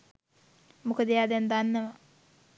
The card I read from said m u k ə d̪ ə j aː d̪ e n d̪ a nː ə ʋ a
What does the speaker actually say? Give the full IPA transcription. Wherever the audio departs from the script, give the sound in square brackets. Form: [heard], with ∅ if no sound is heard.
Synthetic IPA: m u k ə d̪ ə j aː d̪ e n d̪ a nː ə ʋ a